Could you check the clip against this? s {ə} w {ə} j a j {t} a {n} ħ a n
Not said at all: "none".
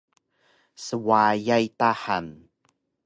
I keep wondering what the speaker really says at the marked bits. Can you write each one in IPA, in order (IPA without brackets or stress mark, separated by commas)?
ə, a, t, none